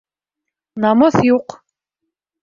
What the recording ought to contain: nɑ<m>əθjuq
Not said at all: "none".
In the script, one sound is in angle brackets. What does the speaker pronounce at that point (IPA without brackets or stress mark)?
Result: m